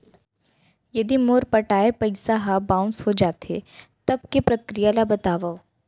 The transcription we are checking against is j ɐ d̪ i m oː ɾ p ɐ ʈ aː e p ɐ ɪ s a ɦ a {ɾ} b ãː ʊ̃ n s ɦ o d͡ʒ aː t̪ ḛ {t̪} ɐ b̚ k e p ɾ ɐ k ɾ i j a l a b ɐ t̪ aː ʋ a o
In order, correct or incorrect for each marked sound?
incorrect: none, correct

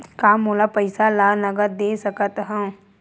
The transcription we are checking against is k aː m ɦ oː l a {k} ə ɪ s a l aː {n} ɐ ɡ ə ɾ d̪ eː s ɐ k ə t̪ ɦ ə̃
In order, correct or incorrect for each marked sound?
incorrect: p, correct

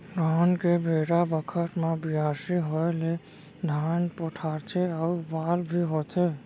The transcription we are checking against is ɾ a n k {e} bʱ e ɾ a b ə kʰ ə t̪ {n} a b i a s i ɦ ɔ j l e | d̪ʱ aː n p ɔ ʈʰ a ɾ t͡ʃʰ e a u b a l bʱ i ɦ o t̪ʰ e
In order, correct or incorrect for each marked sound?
correct, incorrect: m

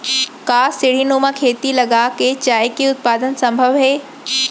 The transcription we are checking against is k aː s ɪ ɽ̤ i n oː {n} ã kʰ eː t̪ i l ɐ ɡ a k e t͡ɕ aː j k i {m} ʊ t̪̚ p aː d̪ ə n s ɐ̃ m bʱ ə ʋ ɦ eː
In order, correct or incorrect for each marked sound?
incorrect: m, incorrect: none

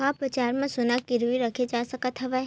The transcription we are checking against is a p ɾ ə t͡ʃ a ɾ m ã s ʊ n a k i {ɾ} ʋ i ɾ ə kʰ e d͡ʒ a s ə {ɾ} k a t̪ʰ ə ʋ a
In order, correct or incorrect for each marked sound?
correct, incorrect: none

